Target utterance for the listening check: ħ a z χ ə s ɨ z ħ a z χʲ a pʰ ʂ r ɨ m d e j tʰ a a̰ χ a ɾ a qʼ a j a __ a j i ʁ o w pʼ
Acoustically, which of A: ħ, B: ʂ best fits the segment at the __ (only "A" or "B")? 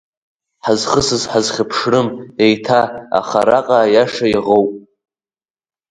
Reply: B